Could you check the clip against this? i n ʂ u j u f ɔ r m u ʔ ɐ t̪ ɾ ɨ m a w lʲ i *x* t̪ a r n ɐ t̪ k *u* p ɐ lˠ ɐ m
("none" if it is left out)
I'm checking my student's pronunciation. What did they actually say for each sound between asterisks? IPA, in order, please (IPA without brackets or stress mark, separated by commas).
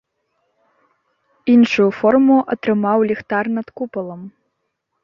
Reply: x, u